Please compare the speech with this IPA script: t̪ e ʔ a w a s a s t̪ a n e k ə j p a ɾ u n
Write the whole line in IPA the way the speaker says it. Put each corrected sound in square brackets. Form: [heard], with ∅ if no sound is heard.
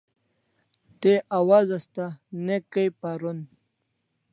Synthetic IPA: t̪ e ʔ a w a [z] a s t̪ a n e k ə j p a ɾ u n